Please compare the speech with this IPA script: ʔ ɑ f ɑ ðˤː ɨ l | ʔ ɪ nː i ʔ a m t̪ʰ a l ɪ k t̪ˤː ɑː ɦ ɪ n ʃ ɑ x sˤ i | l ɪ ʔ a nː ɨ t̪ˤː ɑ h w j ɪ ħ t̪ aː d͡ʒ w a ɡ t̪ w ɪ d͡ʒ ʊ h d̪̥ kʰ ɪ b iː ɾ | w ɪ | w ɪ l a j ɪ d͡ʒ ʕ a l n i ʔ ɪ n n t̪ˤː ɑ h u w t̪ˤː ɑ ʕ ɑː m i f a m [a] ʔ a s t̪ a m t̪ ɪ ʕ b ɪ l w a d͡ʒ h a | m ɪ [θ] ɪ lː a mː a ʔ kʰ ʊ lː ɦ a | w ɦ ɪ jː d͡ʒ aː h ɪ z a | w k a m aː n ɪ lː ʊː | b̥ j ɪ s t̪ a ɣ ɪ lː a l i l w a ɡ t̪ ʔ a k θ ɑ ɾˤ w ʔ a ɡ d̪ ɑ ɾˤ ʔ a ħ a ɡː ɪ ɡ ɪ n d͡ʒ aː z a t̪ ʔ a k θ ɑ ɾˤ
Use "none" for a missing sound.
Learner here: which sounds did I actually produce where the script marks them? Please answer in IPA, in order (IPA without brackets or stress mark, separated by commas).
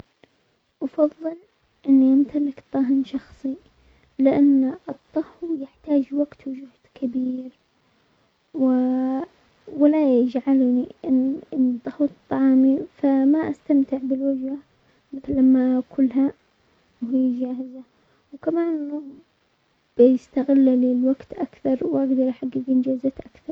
a, θ